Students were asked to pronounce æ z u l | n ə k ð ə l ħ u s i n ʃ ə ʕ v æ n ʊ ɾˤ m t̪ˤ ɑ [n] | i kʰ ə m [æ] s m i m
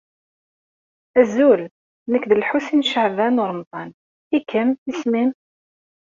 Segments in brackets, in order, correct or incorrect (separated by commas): correct, incorrect